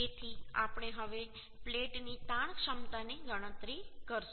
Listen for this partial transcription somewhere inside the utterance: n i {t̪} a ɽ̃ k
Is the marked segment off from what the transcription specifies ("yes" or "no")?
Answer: no